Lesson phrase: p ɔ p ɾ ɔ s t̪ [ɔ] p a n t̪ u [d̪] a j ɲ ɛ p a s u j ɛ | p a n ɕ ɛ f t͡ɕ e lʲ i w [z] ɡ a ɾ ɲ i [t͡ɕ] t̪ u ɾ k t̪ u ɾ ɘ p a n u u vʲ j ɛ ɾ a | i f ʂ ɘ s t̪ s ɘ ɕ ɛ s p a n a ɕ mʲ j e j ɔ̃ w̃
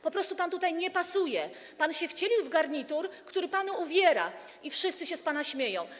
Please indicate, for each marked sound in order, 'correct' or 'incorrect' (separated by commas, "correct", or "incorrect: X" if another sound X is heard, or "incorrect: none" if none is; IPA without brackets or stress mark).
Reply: incorrect: u, incorrect: t̪, incorrect: v, incorrect: none